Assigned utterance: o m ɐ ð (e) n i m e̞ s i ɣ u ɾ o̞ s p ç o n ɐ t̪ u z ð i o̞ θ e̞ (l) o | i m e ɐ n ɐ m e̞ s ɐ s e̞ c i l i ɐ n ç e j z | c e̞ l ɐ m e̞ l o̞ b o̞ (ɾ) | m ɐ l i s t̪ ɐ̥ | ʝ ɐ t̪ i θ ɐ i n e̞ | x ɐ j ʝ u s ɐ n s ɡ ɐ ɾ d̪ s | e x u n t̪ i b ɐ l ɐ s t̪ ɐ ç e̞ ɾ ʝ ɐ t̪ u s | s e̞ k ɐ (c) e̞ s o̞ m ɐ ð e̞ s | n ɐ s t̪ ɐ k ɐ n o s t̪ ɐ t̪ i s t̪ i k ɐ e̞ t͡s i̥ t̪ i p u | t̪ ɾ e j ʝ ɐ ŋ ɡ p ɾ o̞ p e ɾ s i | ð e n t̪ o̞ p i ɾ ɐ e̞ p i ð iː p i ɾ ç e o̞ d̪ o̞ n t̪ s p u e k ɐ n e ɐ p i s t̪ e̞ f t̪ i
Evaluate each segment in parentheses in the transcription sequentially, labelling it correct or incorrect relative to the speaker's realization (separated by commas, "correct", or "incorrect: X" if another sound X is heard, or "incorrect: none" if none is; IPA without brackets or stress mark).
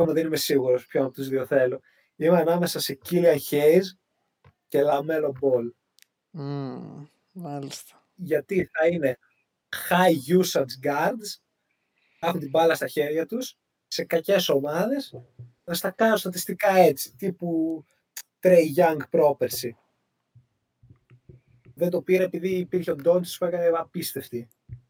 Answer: correct, correct, incorrect: l, correct